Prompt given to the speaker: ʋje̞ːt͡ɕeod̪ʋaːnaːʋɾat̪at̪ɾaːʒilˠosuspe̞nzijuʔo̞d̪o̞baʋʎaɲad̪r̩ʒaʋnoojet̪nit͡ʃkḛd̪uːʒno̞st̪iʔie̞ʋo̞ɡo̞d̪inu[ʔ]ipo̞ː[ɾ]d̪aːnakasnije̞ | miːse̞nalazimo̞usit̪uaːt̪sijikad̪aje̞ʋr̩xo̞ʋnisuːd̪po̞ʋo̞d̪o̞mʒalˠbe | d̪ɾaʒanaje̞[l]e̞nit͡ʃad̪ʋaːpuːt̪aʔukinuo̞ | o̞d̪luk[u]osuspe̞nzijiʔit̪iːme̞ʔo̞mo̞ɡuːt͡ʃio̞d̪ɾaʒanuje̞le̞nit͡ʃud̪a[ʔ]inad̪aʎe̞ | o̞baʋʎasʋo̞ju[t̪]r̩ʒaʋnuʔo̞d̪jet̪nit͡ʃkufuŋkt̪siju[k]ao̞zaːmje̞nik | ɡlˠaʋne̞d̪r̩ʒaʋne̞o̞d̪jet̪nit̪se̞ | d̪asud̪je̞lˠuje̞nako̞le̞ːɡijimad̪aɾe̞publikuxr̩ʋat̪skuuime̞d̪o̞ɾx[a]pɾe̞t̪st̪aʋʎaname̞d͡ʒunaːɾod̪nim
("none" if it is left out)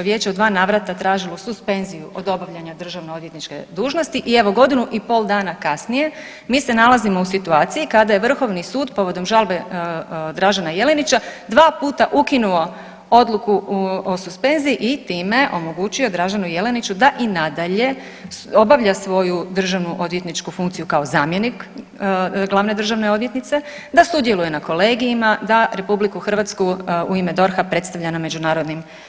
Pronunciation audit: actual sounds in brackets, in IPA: ʔ, l, l, u, ʔ, d̪, k, a

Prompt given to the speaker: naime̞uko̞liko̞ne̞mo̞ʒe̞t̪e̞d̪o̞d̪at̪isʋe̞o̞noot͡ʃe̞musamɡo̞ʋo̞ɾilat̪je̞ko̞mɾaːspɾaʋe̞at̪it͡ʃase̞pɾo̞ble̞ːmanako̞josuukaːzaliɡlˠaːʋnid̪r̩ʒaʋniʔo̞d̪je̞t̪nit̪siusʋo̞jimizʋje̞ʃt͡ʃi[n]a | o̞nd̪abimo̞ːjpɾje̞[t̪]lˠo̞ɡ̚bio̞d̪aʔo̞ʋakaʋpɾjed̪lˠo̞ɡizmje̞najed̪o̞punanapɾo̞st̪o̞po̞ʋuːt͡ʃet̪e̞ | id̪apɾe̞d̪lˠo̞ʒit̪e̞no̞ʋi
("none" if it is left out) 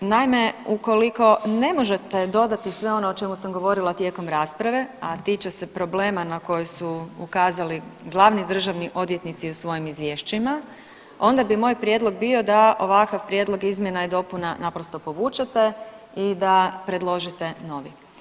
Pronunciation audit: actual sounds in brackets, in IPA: m, d̪

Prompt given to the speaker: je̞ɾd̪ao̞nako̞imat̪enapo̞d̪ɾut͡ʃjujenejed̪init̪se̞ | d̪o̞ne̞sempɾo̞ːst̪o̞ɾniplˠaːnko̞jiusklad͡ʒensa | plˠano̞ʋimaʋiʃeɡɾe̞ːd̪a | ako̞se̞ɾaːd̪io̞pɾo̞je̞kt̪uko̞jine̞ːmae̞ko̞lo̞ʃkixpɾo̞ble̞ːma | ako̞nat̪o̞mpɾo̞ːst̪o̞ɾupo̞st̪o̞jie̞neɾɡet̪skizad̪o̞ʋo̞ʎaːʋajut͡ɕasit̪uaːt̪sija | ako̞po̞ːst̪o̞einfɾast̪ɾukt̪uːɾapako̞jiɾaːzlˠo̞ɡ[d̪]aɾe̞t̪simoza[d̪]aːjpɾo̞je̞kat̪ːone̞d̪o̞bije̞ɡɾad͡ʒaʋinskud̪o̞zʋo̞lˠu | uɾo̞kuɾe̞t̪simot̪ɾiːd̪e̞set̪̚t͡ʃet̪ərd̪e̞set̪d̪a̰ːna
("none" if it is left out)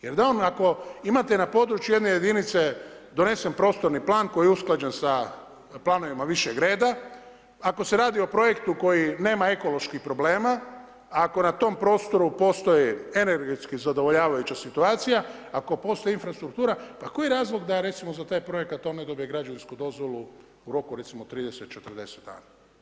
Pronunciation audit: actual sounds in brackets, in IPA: d̪, t̪

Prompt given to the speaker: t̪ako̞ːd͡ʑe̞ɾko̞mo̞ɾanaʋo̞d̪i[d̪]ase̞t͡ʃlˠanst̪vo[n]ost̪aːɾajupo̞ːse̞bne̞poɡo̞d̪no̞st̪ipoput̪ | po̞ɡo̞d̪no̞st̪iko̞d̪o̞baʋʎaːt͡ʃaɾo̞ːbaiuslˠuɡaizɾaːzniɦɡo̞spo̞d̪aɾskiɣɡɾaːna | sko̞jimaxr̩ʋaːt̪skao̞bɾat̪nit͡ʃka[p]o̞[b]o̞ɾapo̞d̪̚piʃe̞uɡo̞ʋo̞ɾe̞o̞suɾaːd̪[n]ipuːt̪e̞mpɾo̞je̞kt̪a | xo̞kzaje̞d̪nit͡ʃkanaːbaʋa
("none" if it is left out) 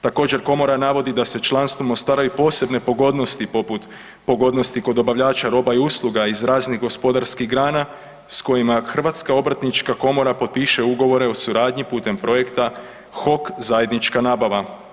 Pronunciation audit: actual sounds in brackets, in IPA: d̪, m, k, m, ɲ

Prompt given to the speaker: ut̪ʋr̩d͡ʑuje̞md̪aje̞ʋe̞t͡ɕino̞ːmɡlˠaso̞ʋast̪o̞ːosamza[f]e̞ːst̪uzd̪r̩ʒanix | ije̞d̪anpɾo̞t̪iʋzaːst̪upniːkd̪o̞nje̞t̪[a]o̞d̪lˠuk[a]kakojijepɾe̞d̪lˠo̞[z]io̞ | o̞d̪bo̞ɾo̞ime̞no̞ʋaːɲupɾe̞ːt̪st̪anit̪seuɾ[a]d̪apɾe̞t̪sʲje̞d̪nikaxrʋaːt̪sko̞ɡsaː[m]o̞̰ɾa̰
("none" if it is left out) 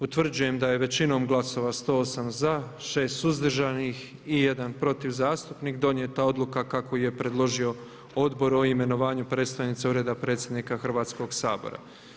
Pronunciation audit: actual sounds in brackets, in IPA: ʃ, a, a, ʒ, e, b

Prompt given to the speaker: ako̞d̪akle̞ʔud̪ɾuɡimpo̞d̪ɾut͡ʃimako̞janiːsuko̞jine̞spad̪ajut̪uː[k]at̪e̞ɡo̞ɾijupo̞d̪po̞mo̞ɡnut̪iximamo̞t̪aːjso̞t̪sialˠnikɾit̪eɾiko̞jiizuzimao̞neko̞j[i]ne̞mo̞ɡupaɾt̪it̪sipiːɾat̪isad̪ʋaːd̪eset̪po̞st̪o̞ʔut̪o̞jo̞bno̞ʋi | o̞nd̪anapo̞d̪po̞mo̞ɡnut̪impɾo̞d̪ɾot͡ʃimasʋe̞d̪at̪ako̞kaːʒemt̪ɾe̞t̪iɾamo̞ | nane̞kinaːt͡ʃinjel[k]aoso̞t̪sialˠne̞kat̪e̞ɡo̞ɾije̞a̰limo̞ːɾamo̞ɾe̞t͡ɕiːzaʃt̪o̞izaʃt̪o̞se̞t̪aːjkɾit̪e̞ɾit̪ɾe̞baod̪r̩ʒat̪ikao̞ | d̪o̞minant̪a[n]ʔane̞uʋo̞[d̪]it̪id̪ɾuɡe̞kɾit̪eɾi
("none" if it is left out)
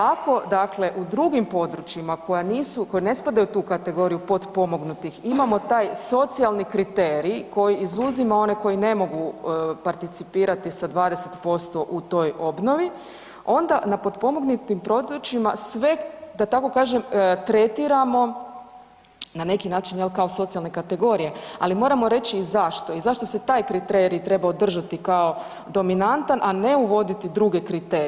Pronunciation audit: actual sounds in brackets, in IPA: k, i, k, n, d̪

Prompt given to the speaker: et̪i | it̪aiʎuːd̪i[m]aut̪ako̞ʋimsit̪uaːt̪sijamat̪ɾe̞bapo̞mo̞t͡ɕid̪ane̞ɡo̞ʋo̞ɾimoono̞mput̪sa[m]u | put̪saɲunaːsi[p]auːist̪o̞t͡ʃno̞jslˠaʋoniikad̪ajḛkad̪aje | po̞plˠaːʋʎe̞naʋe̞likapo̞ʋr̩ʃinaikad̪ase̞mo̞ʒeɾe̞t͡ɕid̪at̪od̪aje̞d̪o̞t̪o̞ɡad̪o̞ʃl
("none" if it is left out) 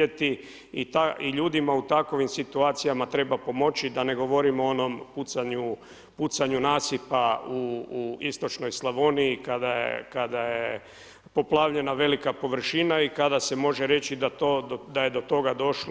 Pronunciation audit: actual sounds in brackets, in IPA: m, ɲ, p

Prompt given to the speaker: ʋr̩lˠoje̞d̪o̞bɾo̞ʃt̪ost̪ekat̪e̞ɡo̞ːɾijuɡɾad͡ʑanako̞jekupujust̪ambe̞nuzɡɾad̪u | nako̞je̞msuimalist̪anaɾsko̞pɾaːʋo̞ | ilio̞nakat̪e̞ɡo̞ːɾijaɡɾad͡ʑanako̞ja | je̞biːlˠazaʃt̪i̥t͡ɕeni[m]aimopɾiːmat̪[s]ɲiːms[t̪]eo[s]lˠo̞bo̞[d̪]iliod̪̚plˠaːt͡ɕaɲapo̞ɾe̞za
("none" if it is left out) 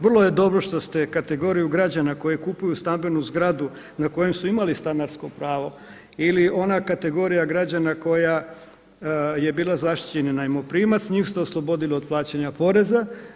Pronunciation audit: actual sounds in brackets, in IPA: n, s, t̪, s, d̪

